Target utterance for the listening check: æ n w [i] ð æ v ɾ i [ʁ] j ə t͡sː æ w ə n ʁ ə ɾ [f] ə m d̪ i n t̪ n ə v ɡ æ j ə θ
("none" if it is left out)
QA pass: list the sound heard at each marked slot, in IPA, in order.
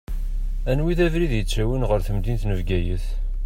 i, ð, θ

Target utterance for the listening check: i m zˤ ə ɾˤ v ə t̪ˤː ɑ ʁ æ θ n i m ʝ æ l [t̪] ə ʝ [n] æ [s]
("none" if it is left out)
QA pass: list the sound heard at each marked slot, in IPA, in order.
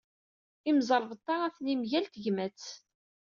t̪, m, t͡s

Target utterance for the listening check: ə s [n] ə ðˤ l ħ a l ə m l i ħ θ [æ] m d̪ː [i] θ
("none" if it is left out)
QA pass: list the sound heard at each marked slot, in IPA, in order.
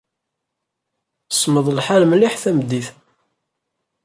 m, æ, i

